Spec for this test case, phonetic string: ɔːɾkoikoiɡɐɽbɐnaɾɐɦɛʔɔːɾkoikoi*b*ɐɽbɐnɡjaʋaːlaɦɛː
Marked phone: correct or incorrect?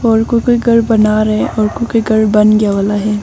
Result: incorrect: ɡ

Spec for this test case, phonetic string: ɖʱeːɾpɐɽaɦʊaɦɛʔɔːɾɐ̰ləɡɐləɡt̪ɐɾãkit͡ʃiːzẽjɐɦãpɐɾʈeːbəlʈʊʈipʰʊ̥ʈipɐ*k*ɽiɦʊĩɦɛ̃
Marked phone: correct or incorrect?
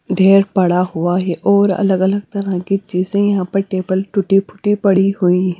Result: incorrect: none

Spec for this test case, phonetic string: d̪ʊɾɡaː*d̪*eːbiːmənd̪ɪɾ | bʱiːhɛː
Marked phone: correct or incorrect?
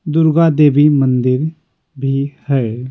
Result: correct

